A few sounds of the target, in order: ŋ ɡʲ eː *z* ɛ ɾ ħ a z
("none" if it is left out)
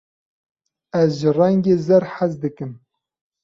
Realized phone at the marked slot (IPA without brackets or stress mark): z